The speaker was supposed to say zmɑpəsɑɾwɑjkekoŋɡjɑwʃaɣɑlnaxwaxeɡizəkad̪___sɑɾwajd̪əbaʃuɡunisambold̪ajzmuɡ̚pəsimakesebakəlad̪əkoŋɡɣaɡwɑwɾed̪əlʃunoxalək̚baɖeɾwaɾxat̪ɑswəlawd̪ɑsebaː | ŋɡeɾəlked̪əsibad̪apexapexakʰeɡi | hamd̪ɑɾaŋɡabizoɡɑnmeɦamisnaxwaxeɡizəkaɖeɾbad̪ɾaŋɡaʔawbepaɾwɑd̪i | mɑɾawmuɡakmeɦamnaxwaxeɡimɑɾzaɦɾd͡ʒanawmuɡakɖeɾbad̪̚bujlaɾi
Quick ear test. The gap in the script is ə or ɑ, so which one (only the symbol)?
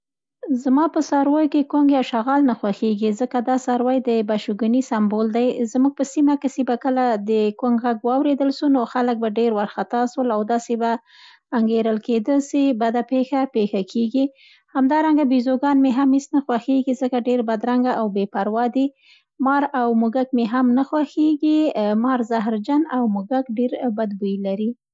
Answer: ɑ